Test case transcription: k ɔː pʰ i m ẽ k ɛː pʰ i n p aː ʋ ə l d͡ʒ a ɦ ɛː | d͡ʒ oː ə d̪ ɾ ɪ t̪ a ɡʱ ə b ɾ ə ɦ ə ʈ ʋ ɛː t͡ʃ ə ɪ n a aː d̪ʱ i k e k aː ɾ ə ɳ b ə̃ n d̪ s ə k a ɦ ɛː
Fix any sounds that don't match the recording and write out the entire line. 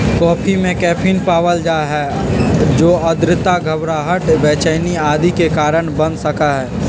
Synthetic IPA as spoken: k ɔː pʰ i m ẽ k ɛː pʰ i n p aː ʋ ə l d͡ʒ a ɦ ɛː | d͡ʒ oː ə d̪ ɾ ɪ t̪ a ɡʱ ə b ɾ a ɦ ə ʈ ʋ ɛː t͡ʃ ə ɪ n i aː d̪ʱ i k e k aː ɾ ə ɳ b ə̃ n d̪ s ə k a ɦ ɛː